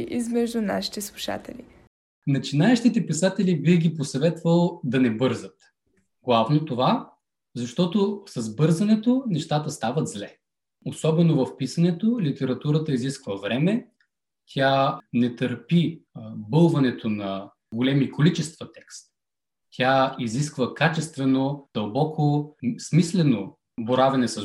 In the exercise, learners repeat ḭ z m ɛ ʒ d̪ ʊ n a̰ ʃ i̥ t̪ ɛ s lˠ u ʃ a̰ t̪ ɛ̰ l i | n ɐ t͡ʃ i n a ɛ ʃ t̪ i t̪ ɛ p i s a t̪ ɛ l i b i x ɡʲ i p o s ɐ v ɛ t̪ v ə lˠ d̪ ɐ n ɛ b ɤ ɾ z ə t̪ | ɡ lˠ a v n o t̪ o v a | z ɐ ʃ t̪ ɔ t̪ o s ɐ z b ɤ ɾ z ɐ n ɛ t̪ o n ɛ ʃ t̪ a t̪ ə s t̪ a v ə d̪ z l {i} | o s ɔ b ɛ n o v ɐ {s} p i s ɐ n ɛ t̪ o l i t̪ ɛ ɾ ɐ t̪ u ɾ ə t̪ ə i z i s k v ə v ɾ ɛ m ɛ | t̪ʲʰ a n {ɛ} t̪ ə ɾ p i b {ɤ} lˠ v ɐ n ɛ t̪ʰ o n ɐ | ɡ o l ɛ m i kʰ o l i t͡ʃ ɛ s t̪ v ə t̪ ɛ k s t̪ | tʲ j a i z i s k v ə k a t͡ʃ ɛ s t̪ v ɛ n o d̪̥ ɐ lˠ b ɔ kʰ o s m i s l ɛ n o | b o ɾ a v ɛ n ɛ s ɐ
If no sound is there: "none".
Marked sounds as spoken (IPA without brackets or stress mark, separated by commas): ɛ, f, ɛ, ɤ